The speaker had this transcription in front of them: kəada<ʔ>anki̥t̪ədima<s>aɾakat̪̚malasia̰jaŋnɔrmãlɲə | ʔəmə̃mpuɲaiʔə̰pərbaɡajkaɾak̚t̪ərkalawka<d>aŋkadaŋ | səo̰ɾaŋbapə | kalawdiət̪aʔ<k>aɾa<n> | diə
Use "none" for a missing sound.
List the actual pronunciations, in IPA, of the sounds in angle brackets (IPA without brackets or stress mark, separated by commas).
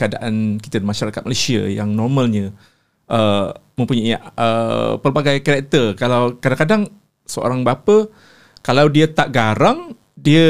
ʔ, ʃ, d, ɡ, ŋ